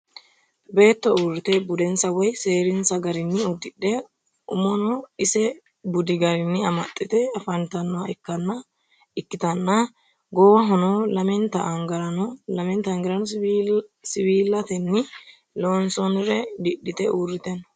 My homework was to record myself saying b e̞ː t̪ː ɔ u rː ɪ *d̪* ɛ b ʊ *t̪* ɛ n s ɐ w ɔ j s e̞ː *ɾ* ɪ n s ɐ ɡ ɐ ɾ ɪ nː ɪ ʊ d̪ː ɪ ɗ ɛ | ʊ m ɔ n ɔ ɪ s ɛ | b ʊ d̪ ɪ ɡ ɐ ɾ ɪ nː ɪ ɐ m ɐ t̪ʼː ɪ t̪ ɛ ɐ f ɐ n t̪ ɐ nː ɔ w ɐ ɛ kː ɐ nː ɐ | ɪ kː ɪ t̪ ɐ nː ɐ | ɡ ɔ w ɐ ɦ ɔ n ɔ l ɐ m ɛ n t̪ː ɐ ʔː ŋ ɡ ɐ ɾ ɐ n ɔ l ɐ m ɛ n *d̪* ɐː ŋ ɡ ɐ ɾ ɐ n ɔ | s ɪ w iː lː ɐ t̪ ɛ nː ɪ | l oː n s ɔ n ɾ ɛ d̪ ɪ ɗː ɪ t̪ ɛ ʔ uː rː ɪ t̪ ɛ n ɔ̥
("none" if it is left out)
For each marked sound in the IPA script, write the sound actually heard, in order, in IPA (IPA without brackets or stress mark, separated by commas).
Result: t̪, d̪, ɾ, t̪